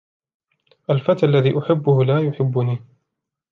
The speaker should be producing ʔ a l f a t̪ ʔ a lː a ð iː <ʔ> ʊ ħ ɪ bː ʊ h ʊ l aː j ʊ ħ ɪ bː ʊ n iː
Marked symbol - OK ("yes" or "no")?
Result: yes